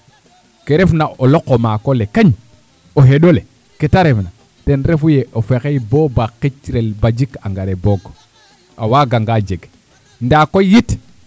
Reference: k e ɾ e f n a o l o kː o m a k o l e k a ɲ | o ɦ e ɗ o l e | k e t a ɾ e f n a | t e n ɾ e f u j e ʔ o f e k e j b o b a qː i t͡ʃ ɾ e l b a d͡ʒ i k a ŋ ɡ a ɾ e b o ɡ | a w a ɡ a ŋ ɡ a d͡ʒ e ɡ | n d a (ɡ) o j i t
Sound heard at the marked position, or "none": k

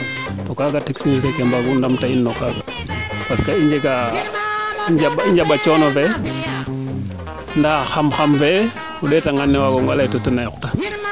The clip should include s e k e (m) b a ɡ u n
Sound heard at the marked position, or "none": m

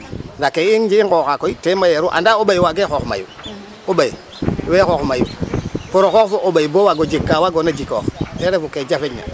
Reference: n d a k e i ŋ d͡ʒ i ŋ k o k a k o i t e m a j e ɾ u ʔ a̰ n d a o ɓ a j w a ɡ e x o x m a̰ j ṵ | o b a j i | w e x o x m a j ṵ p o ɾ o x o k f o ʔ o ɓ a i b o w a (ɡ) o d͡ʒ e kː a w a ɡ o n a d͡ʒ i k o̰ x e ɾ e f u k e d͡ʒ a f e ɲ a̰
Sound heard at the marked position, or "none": ɡ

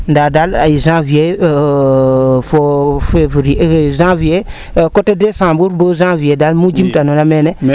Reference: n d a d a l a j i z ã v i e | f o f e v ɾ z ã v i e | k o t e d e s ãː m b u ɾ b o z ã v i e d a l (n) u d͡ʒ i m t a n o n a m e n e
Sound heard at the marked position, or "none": m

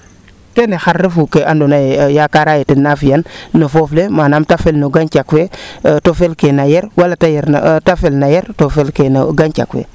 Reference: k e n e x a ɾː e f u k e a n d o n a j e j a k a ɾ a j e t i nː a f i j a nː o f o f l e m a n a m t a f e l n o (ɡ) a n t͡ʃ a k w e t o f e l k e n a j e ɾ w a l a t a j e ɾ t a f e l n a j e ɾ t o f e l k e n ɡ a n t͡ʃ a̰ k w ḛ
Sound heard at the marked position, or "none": ɡ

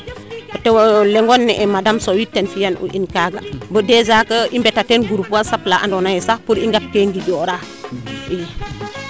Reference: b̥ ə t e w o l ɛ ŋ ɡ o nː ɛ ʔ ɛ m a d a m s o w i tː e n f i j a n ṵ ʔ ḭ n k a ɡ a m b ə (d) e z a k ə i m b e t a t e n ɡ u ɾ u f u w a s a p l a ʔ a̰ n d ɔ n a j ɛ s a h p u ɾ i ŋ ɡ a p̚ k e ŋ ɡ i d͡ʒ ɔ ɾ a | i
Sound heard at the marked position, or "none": d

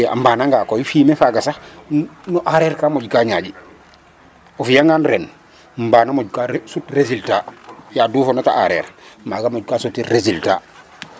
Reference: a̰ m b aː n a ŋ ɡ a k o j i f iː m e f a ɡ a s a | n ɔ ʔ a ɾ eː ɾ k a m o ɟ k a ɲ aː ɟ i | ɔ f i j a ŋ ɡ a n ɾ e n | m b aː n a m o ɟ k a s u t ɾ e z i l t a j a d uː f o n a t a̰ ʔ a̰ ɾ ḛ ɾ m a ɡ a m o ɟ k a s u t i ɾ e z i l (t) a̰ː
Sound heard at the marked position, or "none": t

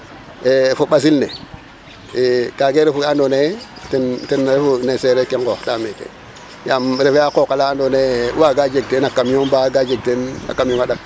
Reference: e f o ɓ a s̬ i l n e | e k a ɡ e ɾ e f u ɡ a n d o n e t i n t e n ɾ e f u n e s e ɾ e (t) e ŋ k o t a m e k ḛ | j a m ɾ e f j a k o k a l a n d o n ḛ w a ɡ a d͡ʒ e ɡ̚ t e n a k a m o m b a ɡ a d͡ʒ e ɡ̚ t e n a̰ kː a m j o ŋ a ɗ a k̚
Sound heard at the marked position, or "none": k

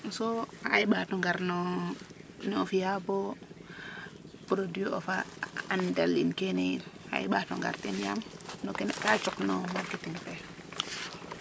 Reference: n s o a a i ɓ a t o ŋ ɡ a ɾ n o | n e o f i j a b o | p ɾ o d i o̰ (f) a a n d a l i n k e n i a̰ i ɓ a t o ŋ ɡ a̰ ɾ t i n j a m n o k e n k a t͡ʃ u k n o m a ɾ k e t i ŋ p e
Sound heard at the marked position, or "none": f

